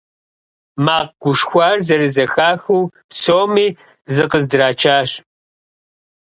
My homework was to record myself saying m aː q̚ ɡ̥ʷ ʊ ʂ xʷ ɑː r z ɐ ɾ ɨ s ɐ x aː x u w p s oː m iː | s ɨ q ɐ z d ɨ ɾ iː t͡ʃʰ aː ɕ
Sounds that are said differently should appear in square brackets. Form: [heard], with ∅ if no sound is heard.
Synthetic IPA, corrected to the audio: m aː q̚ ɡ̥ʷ ʊ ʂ xʷ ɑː r z ɐ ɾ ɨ [z] ɐ x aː x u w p s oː m iː | [z] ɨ q [ə] z d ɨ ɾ [aː] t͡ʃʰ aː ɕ